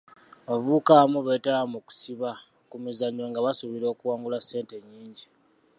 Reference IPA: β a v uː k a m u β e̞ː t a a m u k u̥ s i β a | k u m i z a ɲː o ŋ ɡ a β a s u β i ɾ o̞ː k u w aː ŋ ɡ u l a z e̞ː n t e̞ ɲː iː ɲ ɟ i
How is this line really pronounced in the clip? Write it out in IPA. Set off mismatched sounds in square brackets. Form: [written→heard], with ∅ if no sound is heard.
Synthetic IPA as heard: β a v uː k a m u β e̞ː t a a m u k u̥ s i β a | k u m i z a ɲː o ŋ ɡ a β a s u β i ɾ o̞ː k u w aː ŋ ɡ u l a [z→s] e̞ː n t e̞ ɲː iː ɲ ɟ i